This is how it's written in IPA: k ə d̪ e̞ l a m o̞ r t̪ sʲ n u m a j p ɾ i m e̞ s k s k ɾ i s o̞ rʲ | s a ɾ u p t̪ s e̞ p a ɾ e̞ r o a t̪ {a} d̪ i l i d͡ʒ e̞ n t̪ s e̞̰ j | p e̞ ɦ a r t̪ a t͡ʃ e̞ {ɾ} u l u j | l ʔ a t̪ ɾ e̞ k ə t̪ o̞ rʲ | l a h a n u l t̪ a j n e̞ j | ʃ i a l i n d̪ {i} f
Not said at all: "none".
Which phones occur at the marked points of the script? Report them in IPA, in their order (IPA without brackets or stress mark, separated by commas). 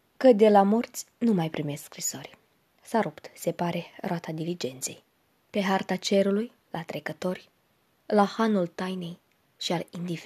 a, ɾ, i